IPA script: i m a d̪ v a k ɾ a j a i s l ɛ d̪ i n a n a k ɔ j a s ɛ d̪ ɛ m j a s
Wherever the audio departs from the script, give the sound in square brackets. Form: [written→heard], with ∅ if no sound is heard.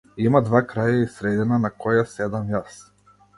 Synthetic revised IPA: i m a d̪ v a k ɾ a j a i s [l→ɾ] ɛ d̪ i n a n a k ɔ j a s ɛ d̪ [ɛ→a] m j a s